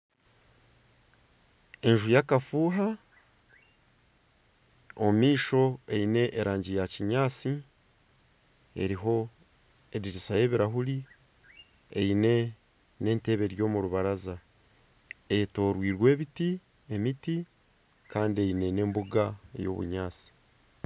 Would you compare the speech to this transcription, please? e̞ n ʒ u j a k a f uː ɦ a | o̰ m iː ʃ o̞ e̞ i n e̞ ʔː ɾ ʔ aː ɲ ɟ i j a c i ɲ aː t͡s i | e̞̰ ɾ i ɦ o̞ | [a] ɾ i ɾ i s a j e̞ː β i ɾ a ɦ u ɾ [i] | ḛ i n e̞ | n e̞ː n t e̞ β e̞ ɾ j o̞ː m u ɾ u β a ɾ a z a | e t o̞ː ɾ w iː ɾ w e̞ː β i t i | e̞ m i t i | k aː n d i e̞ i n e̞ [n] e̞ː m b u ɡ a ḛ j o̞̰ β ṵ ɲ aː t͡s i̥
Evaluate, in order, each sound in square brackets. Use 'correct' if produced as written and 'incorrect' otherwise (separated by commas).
incorrect, correct, correct